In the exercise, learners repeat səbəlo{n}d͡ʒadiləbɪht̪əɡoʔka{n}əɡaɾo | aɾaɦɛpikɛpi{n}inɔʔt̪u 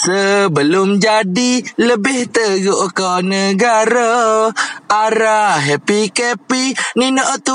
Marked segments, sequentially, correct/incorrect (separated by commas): incorrect, correct, correct